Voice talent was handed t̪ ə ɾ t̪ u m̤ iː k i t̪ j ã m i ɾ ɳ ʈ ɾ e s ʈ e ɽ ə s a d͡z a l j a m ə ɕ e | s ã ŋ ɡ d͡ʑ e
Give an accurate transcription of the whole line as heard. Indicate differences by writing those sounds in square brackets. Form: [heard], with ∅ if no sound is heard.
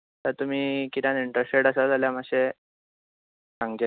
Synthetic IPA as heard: t̪ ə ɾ t̪ u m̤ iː k i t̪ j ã [n] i [∅] ɳ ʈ ɾ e s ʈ e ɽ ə s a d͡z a l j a m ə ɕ e | s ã ŋ ɡ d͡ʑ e